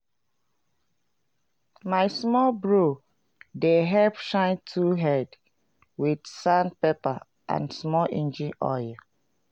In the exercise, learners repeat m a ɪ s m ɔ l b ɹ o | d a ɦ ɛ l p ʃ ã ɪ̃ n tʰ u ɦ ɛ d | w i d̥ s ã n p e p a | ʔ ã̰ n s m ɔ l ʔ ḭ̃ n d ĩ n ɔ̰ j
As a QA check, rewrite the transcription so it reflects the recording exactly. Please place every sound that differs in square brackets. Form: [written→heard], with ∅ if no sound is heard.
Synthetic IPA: m a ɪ s m ɔ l b ɹ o | d [a→e] ɦ ɛ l p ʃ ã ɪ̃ n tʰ u ɦ ɛ d | w i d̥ s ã n p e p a | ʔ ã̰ n s m ɔ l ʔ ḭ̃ n [d→d͡ʒ] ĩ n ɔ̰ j